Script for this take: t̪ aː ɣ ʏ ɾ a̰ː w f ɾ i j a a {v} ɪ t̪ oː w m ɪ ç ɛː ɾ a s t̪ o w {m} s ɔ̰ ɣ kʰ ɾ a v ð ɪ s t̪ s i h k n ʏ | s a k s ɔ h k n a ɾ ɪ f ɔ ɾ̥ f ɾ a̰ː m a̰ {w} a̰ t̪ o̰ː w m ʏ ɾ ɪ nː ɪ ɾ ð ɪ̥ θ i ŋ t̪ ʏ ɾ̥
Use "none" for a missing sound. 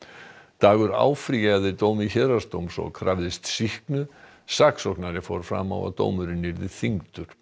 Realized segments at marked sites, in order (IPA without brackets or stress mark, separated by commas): ð, m, w